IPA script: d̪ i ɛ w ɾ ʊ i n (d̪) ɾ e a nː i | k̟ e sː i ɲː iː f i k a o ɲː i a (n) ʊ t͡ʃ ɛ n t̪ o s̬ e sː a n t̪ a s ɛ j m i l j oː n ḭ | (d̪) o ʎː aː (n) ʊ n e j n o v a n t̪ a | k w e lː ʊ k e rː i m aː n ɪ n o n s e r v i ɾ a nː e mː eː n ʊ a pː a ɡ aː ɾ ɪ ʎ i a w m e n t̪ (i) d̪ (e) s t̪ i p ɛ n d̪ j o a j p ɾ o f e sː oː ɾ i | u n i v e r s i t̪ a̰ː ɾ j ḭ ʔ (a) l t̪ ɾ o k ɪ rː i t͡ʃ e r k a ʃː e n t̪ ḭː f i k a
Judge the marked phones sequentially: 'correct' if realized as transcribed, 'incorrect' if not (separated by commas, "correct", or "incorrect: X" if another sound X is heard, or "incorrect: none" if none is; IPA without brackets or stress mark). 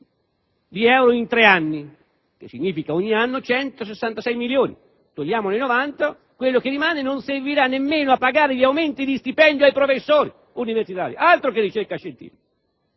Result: incorrect: t̪, incorrect: nː, incorrect: t̪, incorrect: m, correct, incorrect: i, correct